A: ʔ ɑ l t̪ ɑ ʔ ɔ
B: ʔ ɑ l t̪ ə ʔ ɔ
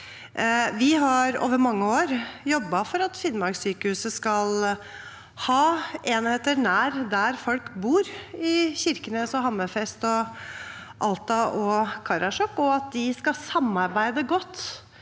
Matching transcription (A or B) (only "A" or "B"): A